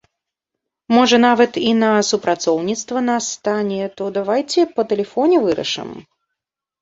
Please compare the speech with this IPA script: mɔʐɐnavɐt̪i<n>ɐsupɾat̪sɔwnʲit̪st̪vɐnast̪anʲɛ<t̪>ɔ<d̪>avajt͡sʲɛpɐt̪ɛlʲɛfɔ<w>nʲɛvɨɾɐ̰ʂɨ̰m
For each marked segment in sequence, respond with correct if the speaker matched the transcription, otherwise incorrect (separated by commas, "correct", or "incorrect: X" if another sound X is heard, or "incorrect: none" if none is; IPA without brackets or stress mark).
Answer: correct, correct, correct, incorrect: none